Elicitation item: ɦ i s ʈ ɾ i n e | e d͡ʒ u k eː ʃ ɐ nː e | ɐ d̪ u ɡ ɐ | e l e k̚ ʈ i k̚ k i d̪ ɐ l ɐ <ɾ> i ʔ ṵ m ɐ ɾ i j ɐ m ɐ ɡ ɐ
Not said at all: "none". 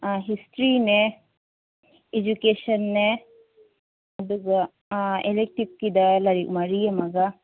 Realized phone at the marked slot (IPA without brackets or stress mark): ɾ